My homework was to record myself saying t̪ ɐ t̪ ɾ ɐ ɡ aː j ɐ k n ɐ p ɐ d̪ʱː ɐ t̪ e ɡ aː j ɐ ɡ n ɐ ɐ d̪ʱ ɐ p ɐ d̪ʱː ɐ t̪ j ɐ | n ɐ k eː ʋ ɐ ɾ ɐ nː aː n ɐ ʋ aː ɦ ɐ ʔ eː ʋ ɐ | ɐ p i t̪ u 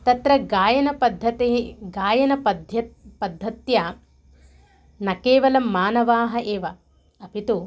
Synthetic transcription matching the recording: t̪ ɐ t̪ ɾ ɐ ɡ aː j ɐ n ɐ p ɐ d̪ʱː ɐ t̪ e ɡ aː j ɐ n ɐ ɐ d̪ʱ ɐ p ɐ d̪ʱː ɐ t̪ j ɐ | n ɐ k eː ʋ ɐ l ɐ mː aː n ɐ ʋ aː ɦ ɐ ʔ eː ʋ ɐ | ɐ p i t̪ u

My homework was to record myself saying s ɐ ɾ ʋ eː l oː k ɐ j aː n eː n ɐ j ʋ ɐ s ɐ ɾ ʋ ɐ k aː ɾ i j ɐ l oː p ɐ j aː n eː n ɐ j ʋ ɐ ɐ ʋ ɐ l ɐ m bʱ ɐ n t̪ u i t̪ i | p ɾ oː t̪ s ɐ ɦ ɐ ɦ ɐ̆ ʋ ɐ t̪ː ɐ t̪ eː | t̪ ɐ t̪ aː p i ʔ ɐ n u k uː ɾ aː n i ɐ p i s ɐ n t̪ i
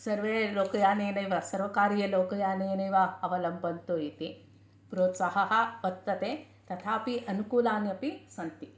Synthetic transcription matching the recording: s ɐ ɾ ʋ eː l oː k ɐ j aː n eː n ɐ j ʋ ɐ s ɐ ɾ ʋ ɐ k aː ɾ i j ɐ l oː k ɐ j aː n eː n ɐ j ʋ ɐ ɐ ʋ ɐ l ɐ m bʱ ɐ n t̪ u i t̪ i | p ɾ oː t̪ s ɐ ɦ ɐ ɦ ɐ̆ ʋ ɐ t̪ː ɐ t̪ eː | t̪ ɐ t̪ʰ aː p i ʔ ɐ n u k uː l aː n j ɐ p i s ɐ n t̪ i

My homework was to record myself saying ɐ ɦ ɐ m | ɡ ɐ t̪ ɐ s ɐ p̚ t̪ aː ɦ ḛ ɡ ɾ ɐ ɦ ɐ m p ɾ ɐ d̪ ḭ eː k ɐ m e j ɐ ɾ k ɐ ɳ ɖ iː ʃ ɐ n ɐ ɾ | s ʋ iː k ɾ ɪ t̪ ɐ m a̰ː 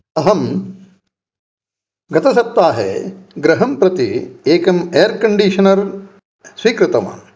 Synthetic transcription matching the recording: ɐ ɦ ɐ m | ɡ ɐ t̪ ɐ s ɐ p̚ t̪ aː ɦ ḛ ɡ ɾ ɐ ɦ ɐ m p ɾ ɐ t̪ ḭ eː k ɐ m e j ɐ ɾ k ɐ ɳ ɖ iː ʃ ɐ n ɐ ɾ | s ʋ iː k ɾ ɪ t̪ ɐ m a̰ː

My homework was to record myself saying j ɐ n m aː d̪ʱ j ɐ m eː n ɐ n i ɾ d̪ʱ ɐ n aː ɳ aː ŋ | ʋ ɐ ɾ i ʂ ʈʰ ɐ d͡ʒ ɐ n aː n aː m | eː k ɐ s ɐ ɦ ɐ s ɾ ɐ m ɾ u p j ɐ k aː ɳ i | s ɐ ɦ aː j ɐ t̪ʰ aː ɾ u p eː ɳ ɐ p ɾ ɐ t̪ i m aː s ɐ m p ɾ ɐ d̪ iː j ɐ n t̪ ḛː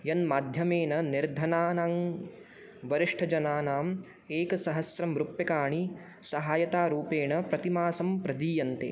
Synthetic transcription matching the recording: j ɐ n m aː d̪ʱ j ɐ m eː n ɐ n i ɾ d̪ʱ ɐ n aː n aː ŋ | ʋ ɐ ɾ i ʂ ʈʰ ɐ d͡ʒ ɐ n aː n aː m | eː k ɐ s ɐ ɦ ɐ s ɾ ɐ m ɾ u p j ɐ k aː ɳ i | s ɐ ɦ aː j ɐ t̪ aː ɾ uː p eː ɳ ɐ p ɾ ɐ t̪ i m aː s ɐ m p ɾ ɐ d̪ iː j ɐ n t̪ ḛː

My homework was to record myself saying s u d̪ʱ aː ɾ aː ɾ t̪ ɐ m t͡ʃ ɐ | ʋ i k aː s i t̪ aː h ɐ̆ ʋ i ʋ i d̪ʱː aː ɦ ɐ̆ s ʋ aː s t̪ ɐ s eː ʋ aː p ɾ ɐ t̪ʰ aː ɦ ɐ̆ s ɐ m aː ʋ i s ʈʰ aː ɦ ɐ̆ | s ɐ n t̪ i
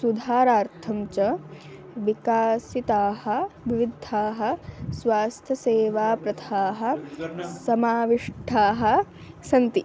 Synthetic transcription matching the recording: s u d̪ʱ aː ɾ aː ɾ t̪ʰ ɐ m t͡ʃ ɐ | ʋ i k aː s i t̪ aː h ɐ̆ ʋ i ʋ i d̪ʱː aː ɦ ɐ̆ s ʋ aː s t̪ʰ ɐ s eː ʋ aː p ɾ ɐ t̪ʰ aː ɦ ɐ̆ s ɐ m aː ʋ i ʂ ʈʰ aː ɦ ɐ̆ | s ɐ n t̪ i

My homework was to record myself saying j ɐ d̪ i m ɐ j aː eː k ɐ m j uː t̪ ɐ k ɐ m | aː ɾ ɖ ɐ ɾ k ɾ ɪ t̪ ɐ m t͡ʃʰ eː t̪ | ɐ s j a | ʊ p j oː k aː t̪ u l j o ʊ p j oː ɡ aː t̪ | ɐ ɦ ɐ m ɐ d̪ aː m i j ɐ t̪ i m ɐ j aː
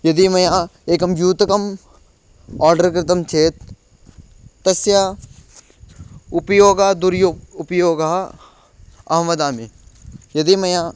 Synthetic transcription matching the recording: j ɐ d̪ i m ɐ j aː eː k ɐ m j uː t̪ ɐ k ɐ m | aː ɾ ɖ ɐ ɾ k ɾ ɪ t̪ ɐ m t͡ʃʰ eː t̪ | ɐ s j a | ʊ p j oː ɡ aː d̪ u ɾ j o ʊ p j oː ɡ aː | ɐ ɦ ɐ m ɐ d̪ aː m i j ɐ d̪ i m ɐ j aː

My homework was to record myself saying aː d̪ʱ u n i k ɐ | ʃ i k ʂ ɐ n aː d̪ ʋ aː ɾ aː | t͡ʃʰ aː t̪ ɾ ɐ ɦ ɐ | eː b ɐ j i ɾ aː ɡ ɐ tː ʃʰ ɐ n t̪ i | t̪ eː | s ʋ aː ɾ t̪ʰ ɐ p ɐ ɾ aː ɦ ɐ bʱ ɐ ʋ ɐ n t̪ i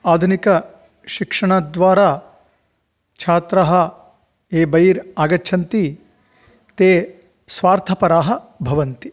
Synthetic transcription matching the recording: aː d̪ʱ u n i k ɐ | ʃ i k ʂ ɐ ɳ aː d̪ ʋ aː ɾ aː | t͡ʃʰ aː t̪ ɾ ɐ ɦ ɐ | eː b ɐ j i ɾ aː ɡ ɐ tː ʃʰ ɐ n t̪ i | t̪ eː | s ʋ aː ɾ t̪ʰ ɐ p ɐ ɾ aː ɦ ɐ bʱ ɐ ʋ ɐ n t̪ i

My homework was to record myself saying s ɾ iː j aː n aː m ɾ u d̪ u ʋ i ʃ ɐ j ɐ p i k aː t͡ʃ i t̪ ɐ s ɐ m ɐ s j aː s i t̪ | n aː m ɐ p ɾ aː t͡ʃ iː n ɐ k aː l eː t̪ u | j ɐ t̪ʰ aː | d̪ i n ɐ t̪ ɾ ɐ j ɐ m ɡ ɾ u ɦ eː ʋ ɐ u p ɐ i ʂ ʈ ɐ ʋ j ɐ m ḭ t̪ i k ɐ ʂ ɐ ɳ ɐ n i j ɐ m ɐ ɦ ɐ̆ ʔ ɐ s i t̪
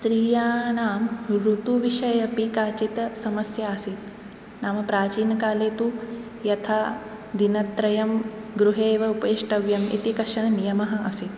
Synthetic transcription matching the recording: s ɾ iː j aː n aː m ɾ u t̪ u ʋ i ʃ ɐ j ɐ p i k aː t͡ʃ i t̪ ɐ s ɐ m ɐ s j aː s i t̪ | n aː m ɐ p ɾ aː t͡ʃ iː n ɐ k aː l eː t̪ u | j ɐ t̪ʰ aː | d̪ i n ɐ t̪ ɾ ɐ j ɐ m ɡ ɾ u ɦ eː ʋ ɐ u p ɐ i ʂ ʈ ɐ ʋ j ɐ m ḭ t̪ i k ɐ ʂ ɐ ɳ ɐ n i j ɐ m ɐ ɦ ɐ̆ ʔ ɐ s i t̪

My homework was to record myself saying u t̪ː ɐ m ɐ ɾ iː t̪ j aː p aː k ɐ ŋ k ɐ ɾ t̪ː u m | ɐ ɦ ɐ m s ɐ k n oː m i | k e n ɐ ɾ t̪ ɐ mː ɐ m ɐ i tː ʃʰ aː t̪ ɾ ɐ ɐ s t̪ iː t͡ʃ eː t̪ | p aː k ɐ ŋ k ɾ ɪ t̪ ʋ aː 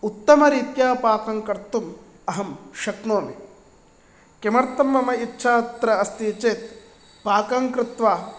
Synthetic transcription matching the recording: u t̪ː ɐ m ɐ ɾ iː t̪ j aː p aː k ɐ ŋ k ɐ ɾ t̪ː u m | ɐ ɦ ɐ m ʃ ɐ k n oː m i | k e m ɐ ɾ t̪ ɐ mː ɐ m ɐ i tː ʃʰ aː t̪ ɾ ɐ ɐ s t̪ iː t͡ʃ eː t̪ | p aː k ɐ ŋ k ɾ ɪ t̪ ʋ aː

